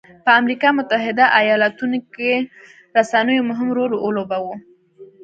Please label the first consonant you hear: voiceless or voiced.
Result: voiceless